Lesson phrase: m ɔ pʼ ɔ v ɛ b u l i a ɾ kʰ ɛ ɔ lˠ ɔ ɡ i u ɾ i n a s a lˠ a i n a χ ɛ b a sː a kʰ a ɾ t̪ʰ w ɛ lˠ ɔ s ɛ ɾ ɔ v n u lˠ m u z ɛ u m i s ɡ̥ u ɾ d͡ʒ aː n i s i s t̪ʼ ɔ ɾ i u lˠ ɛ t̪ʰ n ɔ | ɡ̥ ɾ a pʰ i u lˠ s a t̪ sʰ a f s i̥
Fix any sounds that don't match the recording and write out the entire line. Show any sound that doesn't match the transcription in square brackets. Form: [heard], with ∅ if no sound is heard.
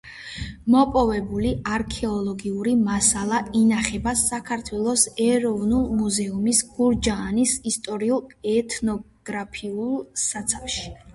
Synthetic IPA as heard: m ɔ pʼ ɔ v ɛ b u l i a ɾ kʰ ɛ ɔ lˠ ɔ ɡ i u ɾ i [m] a s a lˠ a i n a χ ɛ b a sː a kʰ a ɾ t̪ʰ w ɛ lˠ ɔ s ɛ ɾ ɔ v n u lˠ m u z ɛ u m i s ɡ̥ u ɾ d͡ʒ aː n i s i s t̪ʼ ɔ ɾ i u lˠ ɛ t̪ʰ n ɔ | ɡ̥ ɾ a pʰ i u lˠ s a t̪ sʰ a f [ʃ] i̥

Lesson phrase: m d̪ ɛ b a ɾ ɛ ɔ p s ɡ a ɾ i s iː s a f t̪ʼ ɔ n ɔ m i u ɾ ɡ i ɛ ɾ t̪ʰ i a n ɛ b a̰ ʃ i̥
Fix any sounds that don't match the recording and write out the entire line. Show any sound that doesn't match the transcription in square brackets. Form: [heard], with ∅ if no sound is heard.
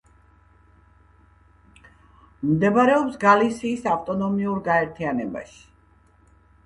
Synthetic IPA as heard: m d̪ ɛ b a ɾ ɛ ɔ p s ɡ a [l] i s iː s a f t̪ʼ ɔ n ɔ m i u ɾ ɡ [a] ɛ ɾ t̪ʰ i a n ɛ b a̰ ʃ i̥

